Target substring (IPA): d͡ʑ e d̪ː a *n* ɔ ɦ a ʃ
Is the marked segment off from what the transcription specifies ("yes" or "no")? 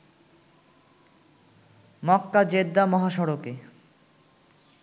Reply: yes